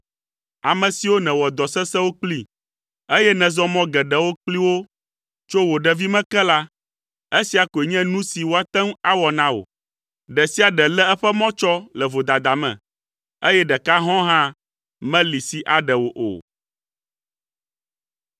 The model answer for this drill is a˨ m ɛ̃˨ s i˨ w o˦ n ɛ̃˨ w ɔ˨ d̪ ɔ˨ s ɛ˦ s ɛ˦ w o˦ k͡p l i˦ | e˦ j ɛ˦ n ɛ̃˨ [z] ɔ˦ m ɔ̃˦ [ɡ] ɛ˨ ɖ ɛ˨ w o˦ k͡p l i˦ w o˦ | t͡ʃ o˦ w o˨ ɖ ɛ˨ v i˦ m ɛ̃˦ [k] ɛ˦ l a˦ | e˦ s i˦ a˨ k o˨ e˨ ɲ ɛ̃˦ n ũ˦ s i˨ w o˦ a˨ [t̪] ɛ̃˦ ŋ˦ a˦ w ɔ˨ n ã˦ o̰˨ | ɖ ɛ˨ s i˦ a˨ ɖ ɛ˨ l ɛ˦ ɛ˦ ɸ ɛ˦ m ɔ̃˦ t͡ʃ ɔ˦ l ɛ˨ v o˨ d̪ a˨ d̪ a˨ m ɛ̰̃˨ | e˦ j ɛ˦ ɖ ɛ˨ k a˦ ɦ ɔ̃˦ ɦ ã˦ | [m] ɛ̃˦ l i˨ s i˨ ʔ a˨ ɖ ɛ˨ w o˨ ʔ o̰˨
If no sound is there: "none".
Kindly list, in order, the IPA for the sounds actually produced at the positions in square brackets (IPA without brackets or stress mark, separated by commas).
z, ɡ, k, t̪, m